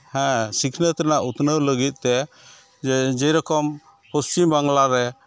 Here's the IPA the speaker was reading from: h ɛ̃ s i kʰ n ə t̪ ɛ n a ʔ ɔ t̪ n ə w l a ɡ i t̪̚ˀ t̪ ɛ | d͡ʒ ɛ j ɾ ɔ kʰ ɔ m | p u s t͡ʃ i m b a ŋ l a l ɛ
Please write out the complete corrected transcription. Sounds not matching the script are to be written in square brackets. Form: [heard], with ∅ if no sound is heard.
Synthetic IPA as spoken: h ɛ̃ s i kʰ n ə t̪ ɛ n a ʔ [u] t̪ n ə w l [ə] ɡ i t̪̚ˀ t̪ ɛ | d͡ʒ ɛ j ɾ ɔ [k] ɔ m | p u s t͡ʃ i m b a ŋ l a [ɾ] ɛ